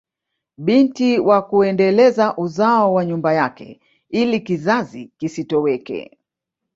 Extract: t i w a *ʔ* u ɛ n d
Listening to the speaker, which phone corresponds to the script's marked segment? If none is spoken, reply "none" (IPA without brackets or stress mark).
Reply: k